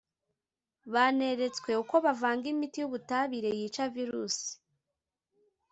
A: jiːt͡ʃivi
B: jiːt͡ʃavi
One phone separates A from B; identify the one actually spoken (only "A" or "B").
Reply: B